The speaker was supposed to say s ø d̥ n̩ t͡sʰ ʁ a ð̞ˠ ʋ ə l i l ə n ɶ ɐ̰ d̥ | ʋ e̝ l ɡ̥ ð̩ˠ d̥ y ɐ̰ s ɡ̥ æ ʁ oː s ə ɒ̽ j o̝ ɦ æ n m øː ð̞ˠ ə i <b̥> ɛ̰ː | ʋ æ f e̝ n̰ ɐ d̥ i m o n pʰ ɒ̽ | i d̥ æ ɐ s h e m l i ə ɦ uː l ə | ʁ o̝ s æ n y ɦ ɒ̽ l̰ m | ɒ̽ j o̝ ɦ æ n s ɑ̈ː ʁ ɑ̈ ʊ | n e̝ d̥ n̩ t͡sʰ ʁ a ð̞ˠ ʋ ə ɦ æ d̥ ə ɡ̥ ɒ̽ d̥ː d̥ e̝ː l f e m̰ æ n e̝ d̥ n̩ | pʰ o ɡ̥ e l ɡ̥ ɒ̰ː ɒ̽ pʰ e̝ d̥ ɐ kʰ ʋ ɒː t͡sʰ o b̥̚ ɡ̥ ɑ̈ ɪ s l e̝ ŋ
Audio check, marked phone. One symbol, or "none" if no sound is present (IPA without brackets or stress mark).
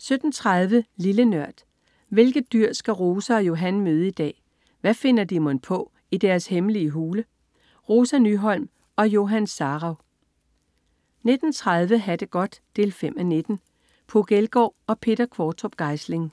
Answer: d̥